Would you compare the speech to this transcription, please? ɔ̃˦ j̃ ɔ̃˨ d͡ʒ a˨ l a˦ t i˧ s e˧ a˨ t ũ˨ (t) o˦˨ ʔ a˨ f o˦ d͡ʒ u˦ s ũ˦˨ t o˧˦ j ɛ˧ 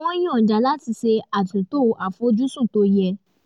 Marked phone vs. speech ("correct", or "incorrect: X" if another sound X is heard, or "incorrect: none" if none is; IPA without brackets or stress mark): correct